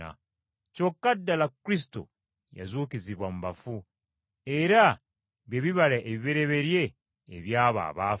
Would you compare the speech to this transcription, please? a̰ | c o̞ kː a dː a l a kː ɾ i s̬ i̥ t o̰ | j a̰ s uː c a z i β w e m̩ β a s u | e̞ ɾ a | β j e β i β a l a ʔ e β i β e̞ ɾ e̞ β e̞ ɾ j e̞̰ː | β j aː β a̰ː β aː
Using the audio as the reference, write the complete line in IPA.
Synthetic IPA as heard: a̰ | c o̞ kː a dː a l a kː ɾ i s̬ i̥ t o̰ | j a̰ z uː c i z i β w a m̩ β a f u | e̞ ɾ a | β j e β i β a l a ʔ e β i β e̞ ɾ e̞ β e̞ ɾ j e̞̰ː | β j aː β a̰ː β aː